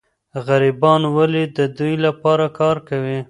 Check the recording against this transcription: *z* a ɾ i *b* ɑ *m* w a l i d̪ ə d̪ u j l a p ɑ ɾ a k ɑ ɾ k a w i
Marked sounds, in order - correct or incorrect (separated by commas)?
incorrect, correct, incorrect